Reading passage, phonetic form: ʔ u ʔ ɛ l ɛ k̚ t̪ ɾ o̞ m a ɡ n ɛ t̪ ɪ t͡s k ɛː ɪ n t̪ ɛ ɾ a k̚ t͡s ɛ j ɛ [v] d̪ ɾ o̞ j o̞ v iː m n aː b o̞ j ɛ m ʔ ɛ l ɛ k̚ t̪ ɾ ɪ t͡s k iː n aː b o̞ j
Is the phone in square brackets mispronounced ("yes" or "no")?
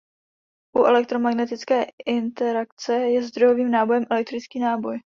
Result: yes